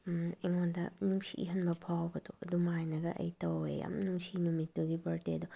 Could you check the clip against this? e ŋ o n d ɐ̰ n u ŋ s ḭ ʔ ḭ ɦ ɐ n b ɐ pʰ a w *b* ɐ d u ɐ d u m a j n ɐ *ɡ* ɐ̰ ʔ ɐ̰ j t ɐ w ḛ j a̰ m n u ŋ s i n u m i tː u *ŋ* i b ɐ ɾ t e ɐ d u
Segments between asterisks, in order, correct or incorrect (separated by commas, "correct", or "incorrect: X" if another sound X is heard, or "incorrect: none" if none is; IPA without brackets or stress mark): correct, correct, incorrect: ɡ